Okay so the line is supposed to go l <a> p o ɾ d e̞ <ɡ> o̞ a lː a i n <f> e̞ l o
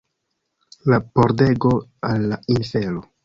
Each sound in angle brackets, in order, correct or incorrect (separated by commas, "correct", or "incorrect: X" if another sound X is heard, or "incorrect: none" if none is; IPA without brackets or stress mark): correct, correct, correct